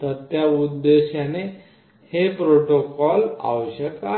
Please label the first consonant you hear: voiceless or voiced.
voiceless